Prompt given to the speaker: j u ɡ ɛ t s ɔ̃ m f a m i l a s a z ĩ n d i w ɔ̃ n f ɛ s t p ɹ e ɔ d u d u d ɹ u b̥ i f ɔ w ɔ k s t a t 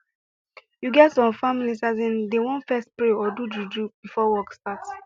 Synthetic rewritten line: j u ɡ ɛ t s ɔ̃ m f a m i l i s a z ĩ n d e w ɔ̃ n f ɛ s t p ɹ e ɔ d u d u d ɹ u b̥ i f ɔ w ɔ k s t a t